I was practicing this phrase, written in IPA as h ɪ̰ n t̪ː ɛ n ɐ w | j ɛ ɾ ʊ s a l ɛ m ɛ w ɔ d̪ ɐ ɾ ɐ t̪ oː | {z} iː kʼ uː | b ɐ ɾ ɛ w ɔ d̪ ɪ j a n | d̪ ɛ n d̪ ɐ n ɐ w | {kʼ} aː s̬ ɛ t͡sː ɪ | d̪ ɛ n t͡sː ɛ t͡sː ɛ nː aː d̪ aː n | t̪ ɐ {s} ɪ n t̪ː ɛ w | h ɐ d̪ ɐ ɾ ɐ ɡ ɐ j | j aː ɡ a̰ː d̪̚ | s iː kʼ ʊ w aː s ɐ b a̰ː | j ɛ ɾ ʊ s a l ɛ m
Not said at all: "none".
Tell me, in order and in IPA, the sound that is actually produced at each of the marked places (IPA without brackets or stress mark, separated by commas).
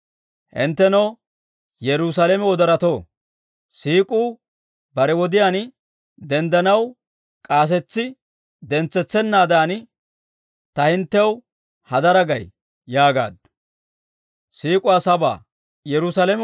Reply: s, kʼ, h